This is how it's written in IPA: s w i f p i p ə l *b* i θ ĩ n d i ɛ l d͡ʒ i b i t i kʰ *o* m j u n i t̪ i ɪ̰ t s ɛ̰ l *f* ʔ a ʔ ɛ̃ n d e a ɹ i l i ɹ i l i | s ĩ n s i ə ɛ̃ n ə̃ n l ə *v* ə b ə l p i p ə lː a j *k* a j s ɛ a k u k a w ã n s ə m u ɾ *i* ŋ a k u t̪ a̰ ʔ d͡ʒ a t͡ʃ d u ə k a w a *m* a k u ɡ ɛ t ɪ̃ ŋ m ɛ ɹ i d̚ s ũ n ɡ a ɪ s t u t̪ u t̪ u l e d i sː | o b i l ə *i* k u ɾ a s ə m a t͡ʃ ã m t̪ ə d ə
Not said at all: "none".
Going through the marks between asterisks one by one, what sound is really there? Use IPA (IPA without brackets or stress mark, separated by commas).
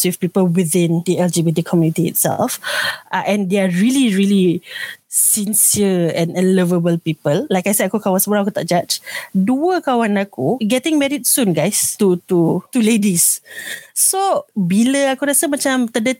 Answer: w, ɔ, f, v, k, a, n, a